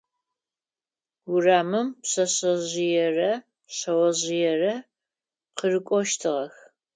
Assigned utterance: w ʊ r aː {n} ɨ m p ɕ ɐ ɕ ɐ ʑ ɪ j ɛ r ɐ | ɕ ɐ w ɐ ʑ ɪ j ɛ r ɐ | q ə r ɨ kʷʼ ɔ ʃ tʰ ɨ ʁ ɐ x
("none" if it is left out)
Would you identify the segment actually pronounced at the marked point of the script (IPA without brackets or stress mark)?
m